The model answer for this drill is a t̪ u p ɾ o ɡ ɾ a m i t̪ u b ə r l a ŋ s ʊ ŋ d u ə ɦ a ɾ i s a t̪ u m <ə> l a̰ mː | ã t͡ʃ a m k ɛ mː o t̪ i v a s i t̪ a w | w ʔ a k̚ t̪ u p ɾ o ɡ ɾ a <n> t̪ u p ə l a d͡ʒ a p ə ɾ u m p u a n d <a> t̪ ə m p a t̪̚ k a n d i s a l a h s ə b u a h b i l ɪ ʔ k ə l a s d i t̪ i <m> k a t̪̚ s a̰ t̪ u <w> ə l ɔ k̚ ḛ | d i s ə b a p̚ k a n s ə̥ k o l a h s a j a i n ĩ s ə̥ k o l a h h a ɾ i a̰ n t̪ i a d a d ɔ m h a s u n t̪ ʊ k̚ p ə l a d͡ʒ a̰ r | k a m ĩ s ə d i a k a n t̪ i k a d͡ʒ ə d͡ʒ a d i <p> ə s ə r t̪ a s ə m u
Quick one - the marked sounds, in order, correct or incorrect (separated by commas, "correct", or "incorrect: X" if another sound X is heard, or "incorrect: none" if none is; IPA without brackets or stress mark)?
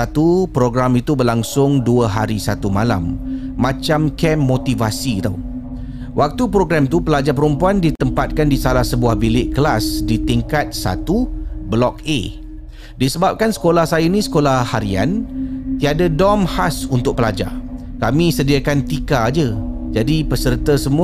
incorrect: a, incorrect: m, incorrect: i, incorrect: ŋ, incorrect: b, correct